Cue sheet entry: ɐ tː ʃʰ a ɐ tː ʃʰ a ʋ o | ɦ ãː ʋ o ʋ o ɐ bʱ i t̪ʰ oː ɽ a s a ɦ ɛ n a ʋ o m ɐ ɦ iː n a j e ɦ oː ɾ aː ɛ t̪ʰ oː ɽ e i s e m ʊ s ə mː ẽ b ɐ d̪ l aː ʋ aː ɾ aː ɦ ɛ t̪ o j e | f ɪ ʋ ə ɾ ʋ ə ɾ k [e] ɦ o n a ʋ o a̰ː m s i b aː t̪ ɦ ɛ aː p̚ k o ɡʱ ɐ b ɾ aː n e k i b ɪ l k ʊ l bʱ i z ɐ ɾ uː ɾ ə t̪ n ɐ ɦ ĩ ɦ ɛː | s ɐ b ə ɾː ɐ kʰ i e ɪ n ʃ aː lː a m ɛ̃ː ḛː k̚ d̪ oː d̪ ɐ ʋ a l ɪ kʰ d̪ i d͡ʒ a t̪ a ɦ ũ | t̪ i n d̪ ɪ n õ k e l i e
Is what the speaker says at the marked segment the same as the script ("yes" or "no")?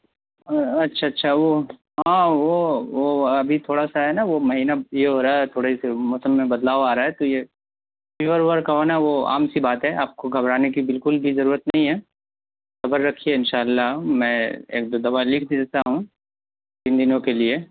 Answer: no